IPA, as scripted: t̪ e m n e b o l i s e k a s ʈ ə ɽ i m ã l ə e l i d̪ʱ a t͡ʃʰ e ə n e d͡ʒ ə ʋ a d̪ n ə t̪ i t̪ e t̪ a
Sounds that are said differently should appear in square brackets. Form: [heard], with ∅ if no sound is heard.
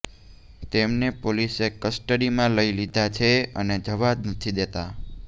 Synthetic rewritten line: t̪ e m n e [p] o l i s e k [ə] s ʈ ə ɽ i m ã l ə [i] l i d̪ʱ a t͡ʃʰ e ə n e d͡ʒ ə ʋ a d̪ n ə [t̪ʰ] i [d̪] e t̪ a